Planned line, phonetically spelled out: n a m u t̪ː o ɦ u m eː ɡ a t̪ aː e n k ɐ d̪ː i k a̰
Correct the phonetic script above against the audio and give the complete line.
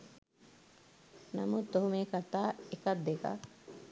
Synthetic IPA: n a m u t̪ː o ɦ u m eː k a t̪ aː e k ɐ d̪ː e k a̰